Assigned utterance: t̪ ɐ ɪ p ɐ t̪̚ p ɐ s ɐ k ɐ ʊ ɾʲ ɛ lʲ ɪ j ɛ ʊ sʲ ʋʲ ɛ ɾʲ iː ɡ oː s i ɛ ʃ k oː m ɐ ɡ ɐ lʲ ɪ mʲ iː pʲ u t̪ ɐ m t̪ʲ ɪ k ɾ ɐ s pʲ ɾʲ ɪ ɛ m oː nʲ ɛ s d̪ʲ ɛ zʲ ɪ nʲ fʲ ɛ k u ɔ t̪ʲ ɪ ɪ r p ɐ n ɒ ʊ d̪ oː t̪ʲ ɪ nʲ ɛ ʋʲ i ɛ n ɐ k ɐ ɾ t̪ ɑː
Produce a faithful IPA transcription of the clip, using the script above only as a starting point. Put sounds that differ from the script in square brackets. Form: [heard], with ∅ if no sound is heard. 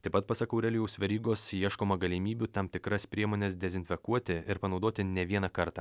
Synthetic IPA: t̪ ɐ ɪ p ɐ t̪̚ p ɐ s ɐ k ɐ ʊ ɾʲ ɛ lʲ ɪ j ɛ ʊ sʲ ʋʲ ɛ ɾʲ iː ɡ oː s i ɛ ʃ k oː m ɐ ɡ ɐ lʲ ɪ mʲ iː [bʲ] u t̪ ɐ m t̪ʲ ɪ k ɾ ɐ s pʲ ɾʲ [i] ɛ m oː nʲ ɛ s d̪ʲ ɛ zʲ ɪ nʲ fʲ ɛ k u ɔ t̪ʲ ɪ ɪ [ɾ] p ɐ n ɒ ʊ d̪ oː t̪ʲ ɪ nʲ ɛ ʋʲ i ɛ n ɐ k ɐ ɾ t̪ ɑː